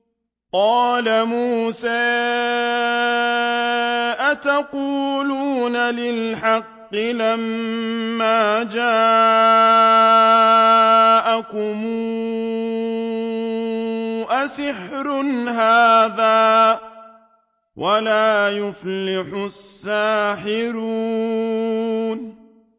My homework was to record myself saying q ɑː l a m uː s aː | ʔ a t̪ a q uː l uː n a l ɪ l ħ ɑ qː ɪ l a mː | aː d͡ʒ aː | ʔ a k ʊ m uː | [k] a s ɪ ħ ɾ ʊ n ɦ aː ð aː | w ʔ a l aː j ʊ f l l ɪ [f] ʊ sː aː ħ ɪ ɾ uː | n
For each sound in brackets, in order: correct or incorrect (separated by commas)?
incorrect, incorrect